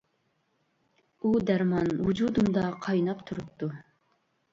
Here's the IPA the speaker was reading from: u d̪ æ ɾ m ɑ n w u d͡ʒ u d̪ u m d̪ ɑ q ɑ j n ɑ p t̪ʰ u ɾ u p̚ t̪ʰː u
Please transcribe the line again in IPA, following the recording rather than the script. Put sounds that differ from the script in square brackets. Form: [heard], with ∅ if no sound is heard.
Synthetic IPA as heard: u d̪ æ ɾ m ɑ n w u d͡ʒ u d̪ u m d̪ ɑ [qʰ] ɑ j n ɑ p t̪ʰ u ɾ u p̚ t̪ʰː u